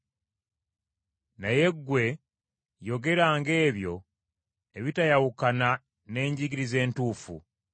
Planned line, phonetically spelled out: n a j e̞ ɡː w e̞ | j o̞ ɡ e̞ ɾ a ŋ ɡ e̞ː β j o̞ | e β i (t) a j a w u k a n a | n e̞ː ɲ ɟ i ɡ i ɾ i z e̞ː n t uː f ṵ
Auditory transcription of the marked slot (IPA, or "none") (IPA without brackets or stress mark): t